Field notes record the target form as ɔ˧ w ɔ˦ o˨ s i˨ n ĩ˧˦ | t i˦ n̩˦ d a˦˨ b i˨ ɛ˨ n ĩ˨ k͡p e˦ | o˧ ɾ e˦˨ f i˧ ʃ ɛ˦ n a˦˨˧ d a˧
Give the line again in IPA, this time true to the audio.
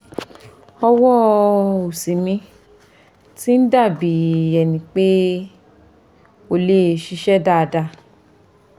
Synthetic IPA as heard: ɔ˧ w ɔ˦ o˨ s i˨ m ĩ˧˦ | t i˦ n̩˦ d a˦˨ b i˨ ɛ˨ n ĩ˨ k͡p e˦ | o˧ l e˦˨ ʃ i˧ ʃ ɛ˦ d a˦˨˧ d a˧

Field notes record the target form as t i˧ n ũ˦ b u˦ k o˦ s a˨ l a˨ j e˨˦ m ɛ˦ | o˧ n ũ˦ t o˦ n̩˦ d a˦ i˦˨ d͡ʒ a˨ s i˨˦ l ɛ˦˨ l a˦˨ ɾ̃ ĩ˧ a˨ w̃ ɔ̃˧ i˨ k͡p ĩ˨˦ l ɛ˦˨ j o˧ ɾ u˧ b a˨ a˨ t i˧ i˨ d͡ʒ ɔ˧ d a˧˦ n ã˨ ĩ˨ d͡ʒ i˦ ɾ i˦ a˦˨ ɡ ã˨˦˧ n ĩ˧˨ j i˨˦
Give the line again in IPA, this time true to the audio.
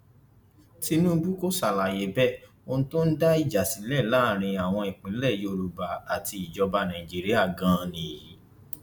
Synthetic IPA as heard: t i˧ n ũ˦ b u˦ k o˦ s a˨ l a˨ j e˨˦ b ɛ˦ | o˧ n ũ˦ t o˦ n̩˦ d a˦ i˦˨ d͡ʒ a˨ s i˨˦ l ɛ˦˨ l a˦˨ ɾ̃ ĩ˧ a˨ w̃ ɔ̃˧ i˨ k͡p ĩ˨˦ l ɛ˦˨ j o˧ ɾ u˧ b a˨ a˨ t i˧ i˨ d͡ʒ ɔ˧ b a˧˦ n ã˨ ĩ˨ d͡ʒ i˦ ɾ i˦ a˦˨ ɡ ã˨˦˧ n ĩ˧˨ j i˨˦

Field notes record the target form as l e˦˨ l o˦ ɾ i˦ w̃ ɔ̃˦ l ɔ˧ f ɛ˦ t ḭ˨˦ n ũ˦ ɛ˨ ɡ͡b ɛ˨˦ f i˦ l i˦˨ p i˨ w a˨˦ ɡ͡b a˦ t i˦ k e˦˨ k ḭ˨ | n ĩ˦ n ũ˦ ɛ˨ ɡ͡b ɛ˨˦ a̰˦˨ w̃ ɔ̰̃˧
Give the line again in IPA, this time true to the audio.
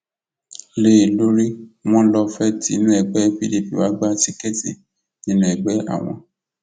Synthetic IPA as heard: l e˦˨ l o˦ ɾ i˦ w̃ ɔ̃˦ l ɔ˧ f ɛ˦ t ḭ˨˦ n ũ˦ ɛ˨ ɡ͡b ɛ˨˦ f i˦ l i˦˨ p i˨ w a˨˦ ɡ͡b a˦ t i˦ k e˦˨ t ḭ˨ | n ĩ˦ n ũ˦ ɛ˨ ɡ͡b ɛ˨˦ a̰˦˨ w̃ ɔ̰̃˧

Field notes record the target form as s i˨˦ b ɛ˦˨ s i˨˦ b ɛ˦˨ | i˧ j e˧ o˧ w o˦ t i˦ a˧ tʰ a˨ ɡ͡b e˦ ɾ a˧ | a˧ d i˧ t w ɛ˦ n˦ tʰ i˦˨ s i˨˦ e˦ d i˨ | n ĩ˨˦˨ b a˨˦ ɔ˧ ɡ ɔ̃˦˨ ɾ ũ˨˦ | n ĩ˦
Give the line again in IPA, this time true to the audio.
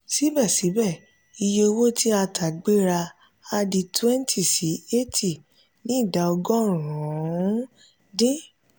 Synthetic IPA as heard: s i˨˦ b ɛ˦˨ s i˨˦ b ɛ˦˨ | i˧ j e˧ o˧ w o˦ t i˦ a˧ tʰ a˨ ɡ͡b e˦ ɾ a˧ | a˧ d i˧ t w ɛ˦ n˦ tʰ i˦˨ s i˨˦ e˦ t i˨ | n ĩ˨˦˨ d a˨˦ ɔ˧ ɡ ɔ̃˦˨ ɾ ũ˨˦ | d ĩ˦

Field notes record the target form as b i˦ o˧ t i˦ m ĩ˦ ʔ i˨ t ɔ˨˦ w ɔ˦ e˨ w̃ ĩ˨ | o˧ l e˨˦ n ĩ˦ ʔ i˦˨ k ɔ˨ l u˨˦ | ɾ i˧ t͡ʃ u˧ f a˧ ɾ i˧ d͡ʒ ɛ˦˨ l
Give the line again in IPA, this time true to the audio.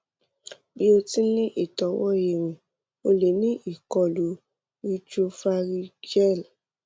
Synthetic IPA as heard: b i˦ o˧ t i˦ n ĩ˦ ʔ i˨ t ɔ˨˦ w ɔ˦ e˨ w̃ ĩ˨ | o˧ l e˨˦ n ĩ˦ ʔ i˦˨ k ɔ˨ l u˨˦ | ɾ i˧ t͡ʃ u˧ f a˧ ɾ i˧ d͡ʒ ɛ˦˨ l

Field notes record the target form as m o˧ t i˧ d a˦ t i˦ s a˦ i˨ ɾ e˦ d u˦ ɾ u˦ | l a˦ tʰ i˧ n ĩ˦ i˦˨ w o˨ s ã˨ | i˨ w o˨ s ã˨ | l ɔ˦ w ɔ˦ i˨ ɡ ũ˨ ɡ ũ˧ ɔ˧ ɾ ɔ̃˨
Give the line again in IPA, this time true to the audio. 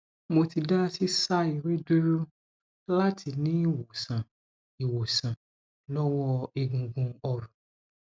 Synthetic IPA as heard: m o˧ t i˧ d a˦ s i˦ s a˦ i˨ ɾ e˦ d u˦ ɾ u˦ | l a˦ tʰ i˧ n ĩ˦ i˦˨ w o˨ s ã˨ | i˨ w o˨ s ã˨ | l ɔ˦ w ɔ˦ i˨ ɡ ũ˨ ɡ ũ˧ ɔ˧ ɾ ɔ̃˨

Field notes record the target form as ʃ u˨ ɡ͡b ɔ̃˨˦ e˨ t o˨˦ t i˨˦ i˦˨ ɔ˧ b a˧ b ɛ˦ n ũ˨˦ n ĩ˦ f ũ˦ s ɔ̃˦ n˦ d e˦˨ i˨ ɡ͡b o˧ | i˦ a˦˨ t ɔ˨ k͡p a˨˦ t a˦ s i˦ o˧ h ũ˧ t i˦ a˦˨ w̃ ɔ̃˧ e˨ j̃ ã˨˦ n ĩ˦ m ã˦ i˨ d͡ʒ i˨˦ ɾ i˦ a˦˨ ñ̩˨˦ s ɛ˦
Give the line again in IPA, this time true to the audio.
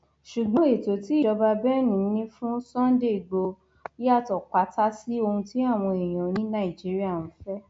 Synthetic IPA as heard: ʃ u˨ ɡ͡b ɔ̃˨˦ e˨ t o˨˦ t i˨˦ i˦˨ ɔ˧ b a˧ b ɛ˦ n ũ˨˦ n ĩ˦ f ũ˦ s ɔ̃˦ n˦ d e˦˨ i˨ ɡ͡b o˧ | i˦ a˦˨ t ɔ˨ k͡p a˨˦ t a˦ s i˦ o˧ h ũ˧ t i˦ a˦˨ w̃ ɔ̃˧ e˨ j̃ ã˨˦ n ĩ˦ n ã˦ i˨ d͡ʒ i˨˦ ɾ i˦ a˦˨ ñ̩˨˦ f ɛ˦

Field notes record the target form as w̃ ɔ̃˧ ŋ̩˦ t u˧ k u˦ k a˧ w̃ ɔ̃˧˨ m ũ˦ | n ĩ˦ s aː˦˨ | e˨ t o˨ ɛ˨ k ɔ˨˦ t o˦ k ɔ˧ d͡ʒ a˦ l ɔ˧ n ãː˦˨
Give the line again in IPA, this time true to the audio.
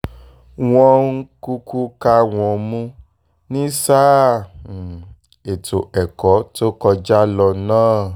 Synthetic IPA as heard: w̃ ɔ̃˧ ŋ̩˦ k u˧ k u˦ k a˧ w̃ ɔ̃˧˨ m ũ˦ | n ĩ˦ s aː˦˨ | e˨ t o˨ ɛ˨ k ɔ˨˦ t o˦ k ɔ˧ d͡ʒ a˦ l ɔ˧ n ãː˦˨

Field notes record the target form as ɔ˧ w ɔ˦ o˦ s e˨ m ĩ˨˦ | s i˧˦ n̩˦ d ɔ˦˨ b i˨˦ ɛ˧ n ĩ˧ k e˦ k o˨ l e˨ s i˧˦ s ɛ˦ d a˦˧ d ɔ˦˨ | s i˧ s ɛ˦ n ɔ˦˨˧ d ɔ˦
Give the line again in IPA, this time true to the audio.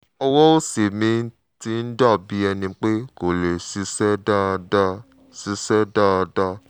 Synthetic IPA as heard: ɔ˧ w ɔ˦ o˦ s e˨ m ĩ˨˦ | t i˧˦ n̩˦ d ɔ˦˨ b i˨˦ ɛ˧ n ĩ˧ k͡p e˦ k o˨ l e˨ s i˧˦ s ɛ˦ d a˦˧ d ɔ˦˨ | s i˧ s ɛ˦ d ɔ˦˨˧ d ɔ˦

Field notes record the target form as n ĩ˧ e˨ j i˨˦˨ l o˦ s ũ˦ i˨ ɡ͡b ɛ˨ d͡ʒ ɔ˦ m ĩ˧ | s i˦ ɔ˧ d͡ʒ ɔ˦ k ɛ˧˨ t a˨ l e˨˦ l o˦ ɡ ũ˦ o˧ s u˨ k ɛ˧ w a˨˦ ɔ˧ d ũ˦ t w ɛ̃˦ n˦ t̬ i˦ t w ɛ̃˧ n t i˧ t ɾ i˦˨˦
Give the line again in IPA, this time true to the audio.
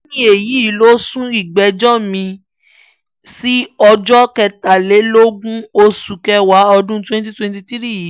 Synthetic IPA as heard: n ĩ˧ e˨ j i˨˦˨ l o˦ s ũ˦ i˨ ɡ͡b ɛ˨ d͡ʒ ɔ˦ m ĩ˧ | s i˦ ɔ˧ d͡ʒ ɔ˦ k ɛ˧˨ t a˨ l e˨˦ l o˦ ɡ ũ˦ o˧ s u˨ k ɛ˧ w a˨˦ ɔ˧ d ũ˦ t w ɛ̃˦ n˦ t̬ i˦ t w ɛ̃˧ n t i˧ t ɾ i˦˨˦

